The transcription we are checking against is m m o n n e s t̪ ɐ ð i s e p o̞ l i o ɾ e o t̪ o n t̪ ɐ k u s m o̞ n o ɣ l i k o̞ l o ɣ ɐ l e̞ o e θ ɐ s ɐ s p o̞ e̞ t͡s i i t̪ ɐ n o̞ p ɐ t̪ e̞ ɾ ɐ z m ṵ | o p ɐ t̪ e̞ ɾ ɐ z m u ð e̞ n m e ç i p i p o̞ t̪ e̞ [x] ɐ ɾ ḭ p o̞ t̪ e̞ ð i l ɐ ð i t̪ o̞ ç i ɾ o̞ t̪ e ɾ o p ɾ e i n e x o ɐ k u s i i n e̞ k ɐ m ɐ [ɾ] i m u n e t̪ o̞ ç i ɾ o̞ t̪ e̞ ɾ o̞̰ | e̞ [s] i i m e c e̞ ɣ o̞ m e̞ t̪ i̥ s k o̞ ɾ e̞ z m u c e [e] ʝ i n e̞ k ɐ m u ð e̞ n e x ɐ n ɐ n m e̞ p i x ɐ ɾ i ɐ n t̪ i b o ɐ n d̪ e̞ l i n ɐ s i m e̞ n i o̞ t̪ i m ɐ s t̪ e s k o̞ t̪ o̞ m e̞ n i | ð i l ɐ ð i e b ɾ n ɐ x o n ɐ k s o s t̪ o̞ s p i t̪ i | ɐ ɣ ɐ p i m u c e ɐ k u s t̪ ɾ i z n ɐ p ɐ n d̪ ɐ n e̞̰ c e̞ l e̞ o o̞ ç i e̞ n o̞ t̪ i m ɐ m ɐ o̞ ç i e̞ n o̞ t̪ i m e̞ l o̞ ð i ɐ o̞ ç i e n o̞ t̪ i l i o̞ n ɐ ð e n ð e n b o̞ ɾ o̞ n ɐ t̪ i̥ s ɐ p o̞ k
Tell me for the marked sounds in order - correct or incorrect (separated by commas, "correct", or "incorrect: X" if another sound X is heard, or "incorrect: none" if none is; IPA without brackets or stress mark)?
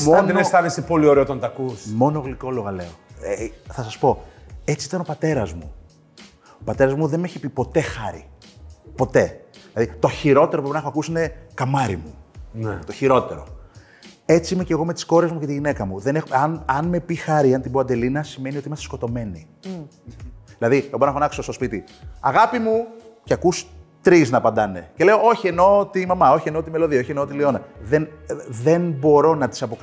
correct, correct, incorrect: t͡s, incorrect: i